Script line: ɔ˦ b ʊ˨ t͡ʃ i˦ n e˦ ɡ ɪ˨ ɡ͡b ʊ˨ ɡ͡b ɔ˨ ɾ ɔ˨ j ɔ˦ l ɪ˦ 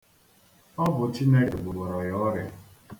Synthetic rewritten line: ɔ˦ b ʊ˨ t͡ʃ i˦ n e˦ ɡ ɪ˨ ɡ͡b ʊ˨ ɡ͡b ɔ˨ ɾ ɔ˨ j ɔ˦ ɾ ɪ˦